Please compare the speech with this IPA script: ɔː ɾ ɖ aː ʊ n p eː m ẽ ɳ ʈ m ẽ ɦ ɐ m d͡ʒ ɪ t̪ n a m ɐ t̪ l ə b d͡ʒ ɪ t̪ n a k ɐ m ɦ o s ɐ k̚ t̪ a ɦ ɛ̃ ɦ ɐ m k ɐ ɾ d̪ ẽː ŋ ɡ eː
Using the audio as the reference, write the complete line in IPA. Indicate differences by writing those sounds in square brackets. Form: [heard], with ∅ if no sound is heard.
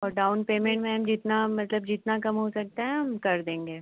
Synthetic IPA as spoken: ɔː ɾ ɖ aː ʊ n p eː m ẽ ɳ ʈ m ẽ ɦ ɐ m d͡ʒ ɪ t̪ n a m ɐ t̪ l ə b d͡ʒ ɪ t̪ n a k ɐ m ɦ o s ɐ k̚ t̪ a ɦ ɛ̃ ɦ ɐ m k ɐ ɾ d̪ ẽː ŋ ɡ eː